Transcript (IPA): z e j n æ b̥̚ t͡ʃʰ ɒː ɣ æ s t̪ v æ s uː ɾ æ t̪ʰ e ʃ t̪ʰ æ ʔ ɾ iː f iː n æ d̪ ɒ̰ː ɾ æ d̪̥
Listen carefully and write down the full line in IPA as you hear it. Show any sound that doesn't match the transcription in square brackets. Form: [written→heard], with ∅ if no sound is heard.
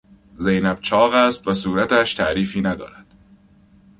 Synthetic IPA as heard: z e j n æ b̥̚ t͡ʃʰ ɒː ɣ æ s t̪ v æ s uː ɾ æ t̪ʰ [e→æ] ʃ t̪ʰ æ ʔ ɾ iː f iː n æ d̪ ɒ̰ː ɾ æ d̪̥

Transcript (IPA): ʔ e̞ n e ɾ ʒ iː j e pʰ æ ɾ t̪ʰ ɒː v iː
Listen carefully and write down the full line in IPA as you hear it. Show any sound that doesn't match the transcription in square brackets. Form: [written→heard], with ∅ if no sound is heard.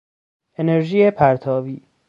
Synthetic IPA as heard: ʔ e̞ n e ɾ ʒ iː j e pʰ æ ɾ t̪ʰ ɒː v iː

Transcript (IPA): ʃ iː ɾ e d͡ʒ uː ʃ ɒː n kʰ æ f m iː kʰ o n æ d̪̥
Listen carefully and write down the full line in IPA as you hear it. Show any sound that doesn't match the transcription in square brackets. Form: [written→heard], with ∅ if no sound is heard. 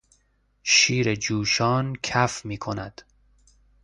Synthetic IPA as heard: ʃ iː ɾ e d͡ʒ uː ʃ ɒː n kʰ æ f m iː kʰ o n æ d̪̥

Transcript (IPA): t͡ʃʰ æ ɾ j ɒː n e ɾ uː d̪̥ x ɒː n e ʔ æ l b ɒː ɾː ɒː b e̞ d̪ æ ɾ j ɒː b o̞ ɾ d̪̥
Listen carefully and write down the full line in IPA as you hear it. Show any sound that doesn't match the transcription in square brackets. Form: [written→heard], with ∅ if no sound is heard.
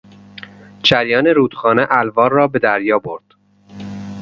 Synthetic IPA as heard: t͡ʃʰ æ ɾ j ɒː n e ɾ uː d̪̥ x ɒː n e ʔ æ l [b→v] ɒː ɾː ɒː b e̞ d̪ æ ɾ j ɒː b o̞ ɾ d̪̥

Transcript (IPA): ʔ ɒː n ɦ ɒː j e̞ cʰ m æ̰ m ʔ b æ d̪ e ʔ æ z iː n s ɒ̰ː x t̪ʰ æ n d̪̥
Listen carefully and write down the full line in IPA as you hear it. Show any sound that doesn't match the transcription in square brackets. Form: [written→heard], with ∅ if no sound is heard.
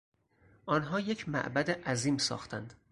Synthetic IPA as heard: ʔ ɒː n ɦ ɒː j e̞ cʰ m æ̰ [m→∅] ʔ b æ d̪ e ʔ æ z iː [n→m] s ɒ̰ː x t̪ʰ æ n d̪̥

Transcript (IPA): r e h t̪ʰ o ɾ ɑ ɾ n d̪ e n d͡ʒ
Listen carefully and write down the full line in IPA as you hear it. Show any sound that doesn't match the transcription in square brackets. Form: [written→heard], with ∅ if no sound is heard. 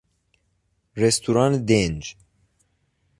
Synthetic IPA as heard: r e [h→s] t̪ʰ [o→u] ɾ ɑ [ɾ→∅] n d̪ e n d͡ʒ

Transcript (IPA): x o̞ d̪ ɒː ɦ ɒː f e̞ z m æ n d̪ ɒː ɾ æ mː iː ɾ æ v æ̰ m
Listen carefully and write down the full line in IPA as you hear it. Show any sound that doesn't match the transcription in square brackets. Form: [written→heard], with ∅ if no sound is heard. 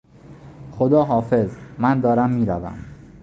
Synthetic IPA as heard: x o̞ d̪ ɒː ɦ ɒː f e̞ z m æ n d̪ ɒː ɾ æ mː iː ɾ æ v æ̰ m

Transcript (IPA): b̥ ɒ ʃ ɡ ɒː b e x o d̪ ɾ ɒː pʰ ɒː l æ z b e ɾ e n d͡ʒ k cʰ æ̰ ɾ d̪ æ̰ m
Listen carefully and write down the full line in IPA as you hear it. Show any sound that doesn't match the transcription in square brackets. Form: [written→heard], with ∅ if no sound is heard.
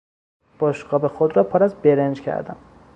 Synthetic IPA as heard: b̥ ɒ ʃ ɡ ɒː b e x o d̪ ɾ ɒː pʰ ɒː [l→ɾ] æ z b e ɾ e n d͡ʒ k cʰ æ̰ ɾ d̪ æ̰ m

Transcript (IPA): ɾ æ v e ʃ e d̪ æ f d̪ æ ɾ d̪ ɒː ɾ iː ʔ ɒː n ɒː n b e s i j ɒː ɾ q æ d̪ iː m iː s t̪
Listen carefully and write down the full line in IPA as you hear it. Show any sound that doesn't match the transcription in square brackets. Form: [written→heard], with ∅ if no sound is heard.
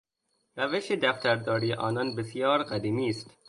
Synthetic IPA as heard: ɾ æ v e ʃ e d̪ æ f [d̪→t̪] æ ɾ d̪ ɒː ɾ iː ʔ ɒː n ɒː n b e s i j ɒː ɾ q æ d̪ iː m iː s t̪

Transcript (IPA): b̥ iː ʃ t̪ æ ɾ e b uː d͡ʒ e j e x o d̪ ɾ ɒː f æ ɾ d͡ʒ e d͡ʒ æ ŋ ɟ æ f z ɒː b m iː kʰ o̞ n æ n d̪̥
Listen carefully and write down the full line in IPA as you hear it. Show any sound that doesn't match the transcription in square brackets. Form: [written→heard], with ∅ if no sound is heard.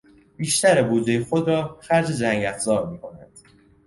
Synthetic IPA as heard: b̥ iː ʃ t̪ æ ɾ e b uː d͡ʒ e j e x o d̪ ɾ ɒː [f→x] æ ɾ d͡ʒ e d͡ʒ æ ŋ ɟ æ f z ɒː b m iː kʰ o̞ n æ n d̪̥

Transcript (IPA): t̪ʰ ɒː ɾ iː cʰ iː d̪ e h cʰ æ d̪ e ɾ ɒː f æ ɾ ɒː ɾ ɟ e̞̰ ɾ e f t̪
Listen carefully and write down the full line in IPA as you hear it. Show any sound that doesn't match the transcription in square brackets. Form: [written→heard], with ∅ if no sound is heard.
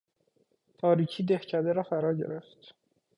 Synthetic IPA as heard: t̪ʰ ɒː ɾ iː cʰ iː d̪ e h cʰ æ d̪ e ɾ ɒː f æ ɾ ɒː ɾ ɟ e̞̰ ɾ e f t̪

